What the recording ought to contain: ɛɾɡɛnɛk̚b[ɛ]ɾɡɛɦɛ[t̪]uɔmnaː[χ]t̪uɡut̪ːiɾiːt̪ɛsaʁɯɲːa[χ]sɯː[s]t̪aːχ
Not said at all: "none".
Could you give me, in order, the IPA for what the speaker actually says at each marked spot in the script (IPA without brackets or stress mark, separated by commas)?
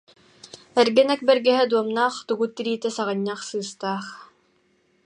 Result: ɛ, d̪, χ, χ, s